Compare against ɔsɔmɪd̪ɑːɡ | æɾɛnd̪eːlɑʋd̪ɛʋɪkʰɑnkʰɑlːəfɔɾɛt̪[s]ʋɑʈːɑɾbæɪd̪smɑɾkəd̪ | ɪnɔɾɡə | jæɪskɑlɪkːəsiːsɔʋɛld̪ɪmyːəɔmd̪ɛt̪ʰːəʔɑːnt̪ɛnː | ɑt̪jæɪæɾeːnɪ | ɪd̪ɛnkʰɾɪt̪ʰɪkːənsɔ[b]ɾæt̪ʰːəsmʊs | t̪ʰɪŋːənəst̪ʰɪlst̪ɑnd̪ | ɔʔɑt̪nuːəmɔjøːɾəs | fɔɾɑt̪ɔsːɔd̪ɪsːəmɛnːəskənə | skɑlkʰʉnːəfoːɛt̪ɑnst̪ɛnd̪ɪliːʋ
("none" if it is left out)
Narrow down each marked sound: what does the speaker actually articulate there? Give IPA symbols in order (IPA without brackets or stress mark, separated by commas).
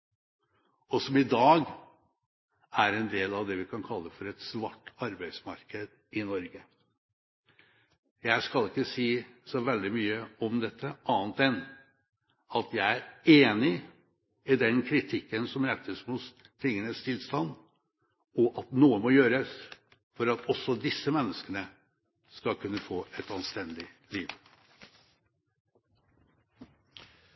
s, m